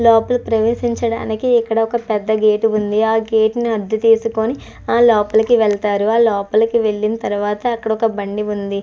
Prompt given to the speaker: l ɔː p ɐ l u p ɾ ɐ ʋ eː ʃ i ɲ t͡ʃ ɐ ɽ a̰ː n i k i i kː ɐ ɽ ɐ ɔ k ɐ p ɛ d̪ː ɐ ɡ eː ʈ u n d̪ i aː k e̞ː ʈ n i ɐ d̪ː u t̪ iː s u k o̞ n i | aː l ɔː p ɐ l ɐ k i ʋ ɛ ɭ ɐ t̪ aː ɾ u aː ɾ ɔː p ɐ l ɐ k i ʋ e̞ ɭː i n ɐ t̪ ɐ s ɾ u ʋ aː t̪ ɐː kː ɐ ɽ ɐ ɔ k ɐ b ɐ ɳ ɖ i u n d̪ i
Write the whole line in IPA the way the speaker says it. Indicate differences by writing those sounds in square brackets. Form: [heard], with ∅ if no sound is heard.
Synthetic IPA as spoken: l ɔː p ɐ l u p ɾ ɐ ʋ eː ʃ i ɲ t͡ʃ ɐ ɽ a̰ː n i k i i kː ɐ ɽ ɐ ɔ k ɐ p ɛ d̪ː ɐ ɡ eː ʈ u n d̪ i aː [ɡ] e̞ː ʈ n i ɐ d̪ː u t̪ iː s u k o̞ n i | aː l ɔː p ɐ l ɐ k i ʋ ɛ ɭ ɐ t̪ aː ɾ u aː [l] ɔː p ɐ l ɐ k i ʋ e̞ ɭː i n ɐ t̪ ɐ [∅] ɾ u ʋ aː t̪ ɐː kː ɐ ɽ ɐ ɔ k ɐ b ɐ ɳ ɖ i u n d̪ i